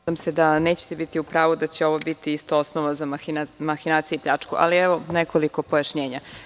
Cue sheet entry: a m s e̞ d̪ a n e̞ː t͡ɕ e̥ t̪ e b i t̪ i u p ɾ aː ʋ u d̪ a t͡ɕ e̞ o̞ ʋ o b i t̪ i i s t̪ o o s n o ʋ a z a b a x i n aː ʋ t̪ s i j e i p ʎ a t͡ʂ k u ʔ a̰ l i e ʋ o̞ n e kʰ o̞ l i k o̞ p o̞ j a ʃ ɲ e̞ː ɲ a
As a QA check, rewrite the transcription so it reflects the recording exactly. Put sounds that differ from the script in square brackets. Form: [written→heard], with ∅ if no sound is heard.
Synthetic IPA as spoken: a m s e̞ d̪ a n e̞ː t͡ɕ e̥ t̪ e b i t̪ i u p ɾ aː ʋ u d̪ a t͡ɕ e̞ o̞ ʋ o b i t̪ i i s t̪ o o s n o ʋ a z a [b→m] a x i n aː [ʋ→∅] t̪ s i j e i p ʎ a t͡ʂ k u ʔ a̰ l i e ʋ o̞ n e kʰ o̞ l i k o̞ p o̞ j a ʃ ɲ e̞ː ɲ a